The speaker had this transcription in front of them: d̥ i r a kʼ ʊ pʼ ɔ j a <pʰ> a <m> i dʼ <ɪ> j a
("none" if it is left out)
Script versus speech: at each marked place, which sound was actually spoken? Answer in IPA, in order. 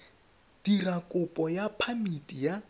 pʰ, m, i

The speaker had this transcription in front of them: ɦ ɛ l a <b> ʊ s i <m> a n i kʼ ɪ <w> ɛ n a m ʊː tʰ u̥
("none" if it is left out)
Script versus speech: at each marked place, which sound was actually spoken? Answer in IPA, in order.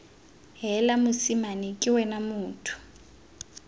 m, m, w

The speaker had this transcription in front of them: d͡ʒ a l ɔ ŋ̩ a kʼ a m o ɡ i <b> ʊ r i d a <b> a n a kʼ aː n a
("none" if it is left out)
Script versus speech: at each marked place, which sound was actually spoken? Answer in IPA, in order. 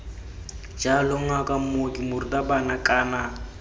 m, b

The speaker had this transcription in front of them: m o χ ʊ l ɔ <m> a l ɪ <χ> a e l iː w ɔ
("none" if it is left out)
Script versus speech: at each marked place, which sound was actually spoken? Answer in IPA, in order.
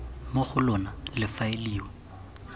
n, f

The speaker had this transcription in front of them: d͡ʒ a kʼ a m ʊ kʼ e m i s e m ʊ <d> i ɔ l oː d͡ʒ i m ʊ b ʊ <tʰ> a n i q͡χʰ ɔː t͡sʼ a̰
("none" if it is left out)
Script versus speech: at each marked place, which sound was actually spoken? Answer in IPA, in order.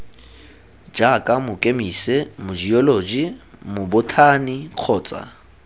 d͡ʒ, tʰ

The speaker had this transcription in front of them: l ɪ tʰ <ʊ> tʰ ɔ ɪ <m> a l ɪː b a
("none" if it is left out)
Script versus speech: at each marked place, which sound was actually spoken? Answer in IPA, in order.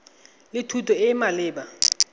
u, m

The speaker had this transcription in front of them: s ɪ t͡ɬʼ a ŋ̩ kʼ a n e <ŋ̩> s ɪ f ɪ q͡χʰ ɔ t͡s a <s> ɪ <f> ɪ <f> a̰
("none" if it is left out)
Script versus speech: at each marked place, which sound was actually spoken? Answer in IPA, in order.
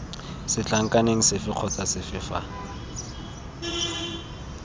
ŋ̩, s, f, f

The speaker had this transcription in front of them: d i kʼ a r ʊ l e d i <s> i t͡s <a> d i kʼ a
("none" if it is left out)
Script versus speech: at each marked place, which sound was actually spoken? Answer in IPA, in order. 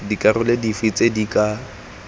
f, e

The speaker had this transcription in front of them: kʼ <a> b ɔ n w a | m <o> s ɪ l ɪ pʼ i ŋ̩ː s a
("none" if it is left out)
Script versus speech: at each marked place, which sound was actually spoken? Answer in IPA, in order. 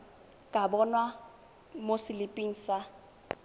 a, o

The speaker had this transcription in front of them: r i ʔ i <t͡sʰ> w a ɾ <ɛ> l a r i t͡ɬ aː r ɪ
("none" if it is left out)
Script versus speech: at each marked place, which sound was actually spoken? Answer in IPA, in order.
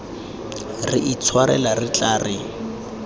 t͡sʰ, ɛ

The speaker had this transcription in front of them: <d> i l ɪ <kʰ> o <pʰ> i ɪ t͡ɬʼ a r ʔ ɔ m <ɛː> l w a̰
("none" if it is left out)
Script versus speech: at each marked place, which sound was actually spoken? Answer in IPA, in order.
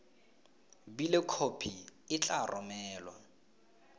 b, kʰ, pʰ, ɛː

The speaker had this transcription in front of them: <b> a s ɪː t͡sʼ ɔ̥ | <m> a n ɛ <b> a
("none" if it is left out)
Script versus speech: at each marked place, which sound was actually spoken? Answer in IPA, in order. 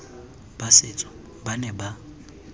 b, b, b

